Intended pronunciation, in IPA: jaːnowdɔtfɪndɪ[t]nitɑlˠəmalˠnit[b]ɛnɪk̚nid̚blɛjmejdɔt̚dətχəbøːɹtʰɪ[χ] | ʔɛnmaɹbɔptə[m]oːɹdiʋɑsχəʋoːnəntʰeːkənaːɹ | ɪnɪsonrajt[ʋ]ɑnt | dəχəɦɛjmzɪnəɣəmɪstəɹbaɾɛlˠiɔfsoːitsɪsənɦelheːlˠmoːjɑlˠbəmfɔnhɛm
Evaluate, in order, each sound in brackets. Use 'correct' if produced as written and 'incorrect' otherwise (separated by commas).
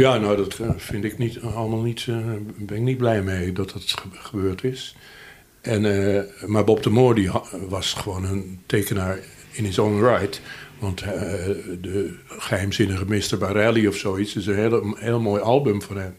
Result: incorrect, correct, incorrect, correct, correct